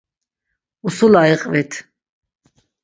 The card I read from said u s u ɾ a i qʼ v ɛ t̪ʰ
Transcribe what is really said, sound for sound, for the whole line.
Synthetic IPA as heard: u s u l a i qʼ v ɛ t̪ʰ